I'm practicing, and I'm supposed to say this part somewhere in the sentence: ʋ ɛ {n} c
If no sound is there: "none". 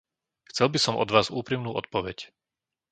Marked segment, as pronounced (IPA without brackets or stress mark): none